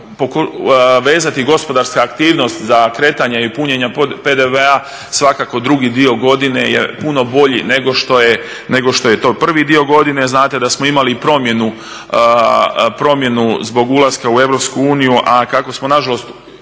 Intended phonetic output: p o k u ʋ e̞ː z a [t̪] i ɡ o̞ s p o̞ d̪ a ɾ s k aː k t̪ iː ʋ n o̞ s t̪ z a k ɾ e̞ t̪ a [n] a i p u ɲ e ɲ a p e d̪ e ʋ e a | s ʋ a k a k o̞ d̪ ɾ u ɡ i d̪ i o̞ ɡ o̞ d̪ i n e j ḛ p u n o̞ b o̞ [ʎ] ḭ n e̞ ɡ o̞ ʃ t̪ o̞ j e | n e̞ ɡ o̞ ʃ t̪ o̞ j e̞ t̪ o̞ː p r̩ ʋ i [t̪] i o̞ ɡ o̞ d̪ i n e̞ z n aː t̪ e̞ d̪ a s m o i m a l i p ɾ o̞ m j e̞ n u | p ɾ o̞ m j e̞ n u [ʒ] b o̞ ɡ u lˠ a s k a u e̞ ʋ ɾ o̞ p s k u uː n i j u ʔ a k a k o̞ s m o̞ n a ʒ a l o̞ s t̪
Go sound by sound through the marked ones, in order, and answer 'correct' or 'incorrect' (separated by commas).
correct, incorrect, correct, incorrect, incorrect